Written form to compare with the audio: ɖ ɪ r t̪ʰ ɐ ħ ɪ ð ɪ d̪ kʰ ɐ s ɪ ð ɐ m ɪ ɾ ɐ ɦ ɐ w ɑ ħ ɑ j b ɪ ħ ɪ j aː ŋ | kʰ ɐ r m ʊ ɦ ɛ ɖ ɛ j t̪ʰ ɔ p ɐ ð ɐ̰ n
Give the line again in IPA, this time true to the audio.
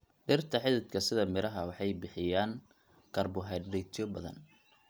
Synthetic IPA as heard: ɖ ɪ r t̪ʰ ɐ ħ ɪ ð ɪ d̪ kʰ ɐ s ɪ ð ɐ m ɪ ɾ ɐ ɦ ɐ w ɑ ħ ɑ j b ɪ ħ ɪ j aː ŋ | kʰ ɐ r b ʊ ɦ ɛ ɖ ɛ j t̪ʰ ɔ b ɐ ð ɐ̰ n